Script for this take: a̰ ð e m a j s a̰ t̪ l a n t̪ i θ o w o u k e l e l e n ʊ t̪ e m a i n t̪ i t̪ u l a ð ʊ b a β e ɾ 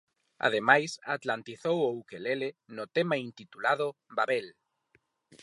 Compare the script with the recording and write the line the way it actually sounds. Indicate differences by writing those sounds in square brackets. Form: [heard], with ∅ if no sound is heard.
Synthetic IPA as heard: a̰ ð e m a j s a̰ t̪ l a n t̪ i θ o w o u k e l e l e n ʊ t̪ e m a i n t̪ i t̪ u l a ð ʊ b a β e [l]

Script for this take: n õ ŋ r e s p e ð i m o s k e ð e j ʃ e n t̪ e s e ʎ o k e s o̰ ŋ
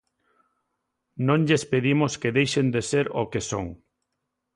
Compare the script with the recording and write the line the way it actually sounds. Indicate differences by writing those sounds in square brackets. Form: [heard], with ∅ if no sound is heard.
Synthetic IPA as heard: n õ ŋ [ʎ] e s p e ð i m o s k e ð e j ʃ e n [d̪] e s e [ɾ] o k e s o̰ ŋ

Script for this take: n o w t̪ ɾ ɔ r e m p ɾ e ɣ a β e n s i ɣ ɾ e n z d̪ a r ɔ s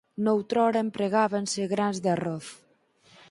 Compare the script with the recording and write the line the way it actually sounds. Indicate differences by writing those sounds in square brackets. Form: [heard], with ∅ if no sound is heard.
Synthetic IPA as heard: n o w t̪ ɾ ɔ [ɾ] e m p ɾ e ɣ a β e n s [e] ɣ ɾ [a] n z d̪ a r ɔ [θ]

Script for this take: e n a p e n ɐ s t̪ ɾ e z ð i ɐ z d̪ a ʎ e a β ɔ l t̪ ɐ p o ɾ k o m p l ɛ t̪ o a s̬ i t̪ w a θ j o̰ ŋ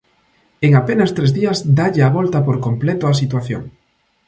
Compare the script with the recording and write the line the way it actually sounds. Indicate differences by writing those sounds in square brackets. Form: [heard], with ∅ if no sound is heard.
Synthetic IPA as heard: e [ŋ] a p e n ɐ s t̪ ɾ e z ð i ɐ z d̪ a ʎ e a β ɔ l t̪ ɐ p o ɾ k o m p l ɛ t̪ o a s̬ i t̪ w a θ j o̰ ŋ

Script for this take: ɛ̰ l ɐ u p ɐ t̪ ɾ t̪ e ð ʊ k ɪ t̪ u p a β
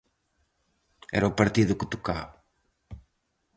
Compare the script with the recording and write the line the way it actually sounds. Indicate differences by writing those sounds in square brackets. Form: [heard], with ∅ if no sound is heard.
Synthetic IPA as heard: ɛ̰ [ɾ] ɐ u p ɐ [∅] ɾ t̪ [i] ð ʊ k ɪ t̪ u [k] a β

